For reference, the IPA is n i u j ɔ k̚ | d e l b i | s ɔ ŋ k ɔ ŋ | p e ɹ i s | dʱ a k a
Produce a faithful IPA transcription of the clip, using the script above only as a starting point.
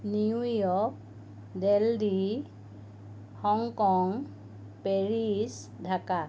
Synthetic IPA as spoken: n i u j ɔ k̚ | d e l d i | h ɔ ŋ k ɔ ŋ | p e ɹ i s | dʱ a k a